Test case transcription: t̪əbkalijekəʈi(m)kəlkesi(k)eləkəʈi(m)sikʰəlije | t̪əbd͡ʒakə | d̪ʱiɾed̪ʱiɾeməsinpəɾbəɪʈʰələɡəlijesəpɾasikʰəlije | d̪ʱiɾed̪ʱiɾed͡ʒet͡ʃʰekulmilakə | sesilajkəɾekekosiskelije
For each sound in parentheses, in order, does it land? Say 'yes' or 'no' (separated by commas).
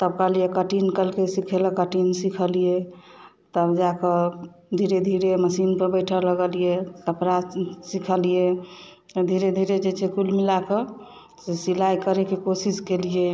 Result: no, no, no